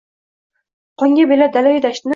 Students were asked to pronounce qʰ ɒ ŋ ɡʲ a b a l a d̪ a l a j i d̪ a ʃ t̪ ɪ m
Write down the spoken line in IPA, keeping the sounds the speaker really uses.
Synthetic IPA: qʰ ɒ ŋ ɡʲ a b e l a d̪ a l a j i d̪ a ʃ t̪ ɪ n